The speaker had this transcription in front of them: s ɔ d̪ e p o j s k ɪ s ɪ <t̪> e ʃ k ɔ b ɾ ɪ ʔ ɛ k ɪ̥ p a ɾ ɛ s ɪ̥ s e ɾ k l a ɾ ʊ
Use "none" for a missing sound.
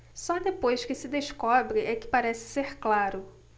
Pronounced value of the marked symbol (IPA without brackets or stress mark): d̪